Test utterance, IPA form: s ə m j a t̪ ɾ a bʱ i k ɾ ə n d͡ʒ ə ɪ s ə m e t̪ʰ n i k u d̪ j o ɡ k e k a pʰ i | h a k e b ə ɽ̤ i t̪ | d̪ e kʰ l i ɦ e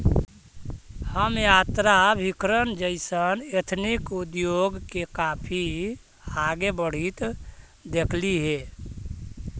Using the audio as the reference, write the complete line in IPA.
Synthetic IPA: h ə m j a t̪ ɾ a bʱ i k ɾ ə n d͡ʒ ə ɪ s ə n e t̪ʰ n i k u d̪ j o ɡ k e k a pʰ i | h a ɡ e b ə ɽ̤ i t̪ | d̪ e kʰ l i ɦ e